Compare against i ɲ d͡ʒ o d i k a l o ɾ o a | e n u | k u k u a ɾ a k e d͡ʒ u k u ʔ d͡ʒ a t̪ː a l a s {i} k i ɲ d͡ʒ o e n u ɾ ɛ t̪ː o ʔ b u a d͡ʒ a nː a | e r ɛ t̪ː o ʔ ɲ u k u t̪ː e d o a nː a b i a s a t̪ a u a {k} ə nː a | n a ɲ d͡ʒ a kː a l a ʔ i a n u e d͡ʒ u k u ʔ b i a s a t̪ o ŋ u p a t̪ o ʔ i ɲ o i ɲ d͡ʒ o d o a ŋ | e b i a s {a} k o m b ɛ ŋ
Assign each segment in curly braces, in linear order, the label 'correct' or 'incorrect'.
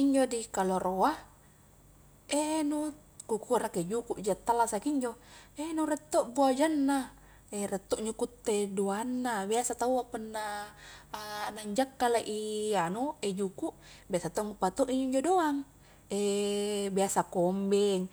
incorrect: a, incorrect: p, correct

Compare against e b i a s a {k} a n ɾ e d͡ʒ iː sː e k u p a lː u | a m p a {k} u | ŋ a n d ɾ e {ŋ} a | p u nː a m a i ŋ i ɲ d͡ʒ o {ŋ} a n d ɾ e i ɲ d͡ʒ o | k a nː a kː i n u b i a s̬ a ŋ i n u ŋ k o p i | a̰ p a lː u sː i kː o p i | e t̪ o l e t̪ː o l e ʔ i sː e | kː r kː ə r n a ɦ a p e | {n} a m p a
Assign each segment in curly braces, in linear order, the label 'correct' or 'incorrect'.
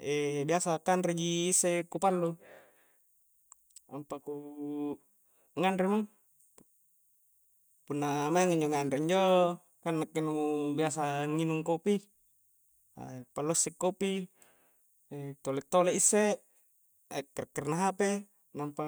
correct, correct, incorrect: m, correct, correct

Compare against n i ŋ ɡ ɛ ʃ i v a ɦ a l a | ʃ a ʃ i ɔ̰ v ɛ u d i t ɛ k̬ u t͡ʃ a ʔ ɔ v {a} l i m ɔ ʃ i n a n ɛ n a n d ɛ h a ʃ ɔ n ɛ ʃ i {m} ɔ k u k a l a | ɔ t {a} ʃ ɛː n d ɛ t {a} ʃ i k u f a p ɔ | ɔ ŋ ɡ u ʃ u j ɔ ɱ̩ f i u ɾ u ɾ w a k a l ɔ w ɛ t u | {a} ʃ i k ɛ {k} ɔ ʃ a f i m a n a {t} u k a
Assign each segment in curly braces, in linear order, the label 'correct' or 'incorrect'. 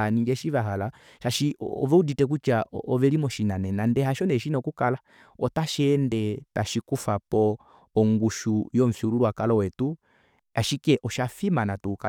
incorrect: ɛ, incorrect: n, correct, correct, correct, incorrect: ʔ, correct

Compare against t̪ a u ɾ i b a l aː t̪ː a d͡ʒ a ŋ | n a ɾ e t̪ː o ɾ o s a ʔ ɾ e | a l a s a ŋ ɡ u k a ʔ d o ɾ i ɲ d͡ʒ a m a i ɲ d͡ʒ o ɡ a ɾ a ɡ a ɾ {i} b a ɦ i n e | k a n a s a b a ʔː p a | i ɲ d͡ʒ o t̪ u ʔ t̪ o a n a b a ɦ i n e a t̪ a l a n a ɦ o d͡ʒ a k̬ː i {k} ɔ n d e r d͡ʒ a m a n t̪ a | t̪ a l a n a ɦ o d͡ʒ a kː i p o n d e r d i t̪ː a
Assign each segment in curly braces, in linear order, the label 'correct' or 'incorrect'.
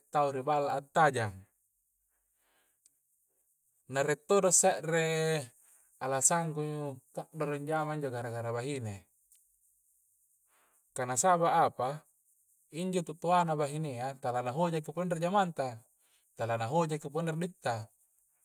incorrect: a, incorrect: p

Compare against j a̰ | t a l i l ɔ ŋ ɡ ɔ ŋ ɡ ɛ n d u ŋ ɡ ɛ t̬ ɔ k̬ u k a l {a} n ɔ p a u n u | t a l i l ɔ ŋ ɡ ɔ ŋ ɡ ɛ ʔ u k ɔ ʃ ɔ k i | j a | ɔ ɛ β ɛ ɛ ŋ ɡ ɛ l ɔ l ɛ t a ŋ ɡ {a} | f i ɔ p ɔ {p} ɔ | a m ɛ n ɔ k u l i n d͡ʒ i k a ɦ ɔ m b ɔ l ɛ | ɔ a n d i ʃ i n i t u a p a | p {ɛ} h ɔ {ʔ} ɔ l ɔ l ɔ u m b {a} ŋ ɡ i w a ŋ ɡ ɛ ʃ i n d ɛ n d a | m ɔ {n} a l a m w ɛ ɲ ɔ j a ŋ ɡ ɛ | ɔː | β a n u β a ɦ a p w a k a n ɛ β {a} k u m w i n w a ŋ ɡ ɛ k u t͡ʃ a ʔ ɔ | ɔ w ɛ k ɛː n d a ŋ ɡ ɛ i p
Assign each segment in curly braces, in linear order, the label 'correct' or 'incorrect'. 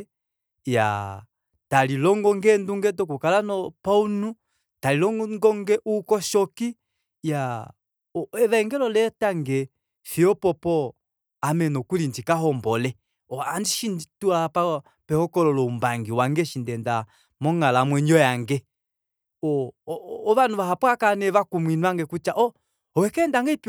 correct, incorrect: ɛ, correct, correct, incorrect: k, correct, incorrect: ŋ, correct

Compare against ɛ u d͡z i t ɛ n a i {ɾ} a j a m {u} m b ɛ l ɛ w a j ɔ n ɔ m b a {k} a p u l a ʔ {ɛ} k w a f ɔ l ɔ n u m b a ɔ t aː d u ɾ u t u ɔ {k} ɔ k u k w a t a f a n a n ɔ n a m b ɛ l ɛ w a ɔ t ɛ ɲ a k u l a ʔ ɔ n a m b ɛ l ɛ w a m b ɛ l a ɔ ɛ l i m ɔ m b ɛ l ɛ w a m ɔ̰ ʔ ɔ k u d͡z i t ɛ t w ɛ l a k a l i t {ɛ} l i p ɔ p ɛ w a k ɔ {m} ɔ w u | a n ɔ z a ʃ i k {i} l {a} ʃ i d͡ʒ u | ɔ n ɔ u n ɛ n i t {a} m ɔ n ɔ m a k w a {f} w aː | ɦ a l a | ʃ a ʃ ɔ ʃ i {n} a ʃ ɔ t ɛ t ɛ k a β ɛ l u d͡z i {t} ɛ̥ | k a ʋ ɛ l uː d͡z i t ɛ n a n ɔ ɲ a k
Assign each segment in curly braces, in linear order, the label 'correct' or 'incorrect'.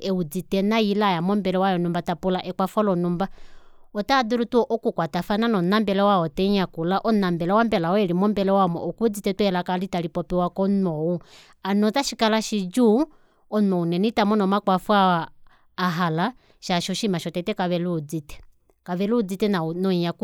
incorrect: l, incorrect: ɔ, incorrect: t, correct, incorrect: ʔ, incorrect: a, incorrect: n, incorrect: a, correct, correct, correct, incorrect: m, correct

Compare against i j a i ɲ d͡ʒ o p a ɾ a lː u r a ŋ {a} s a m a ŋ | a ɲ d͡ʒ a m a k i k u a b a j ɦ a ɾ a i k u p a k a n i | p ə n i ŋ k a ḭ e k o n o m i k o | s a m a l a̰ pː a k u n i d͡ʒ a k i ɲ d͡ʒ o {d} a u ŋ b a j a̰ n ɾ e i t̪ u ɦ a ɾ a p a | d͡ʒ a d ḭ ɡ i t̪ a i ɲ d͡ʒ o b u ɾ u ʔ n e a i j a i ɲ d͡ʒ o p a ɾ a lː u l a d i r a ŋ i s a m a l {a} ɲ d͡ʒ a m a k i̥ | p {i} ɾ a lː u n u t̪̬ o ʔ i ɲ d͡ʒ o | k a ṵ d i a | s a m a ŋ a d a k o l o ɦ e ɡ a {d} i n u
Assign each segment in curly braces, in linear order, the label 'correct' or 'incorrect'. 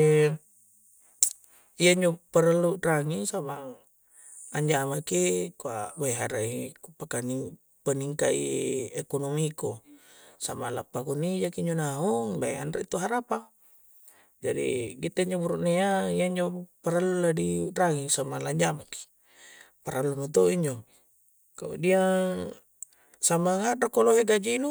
incorrect: i, incorrect: n, correct, incorrect: a, incorrect: d͡ʒ

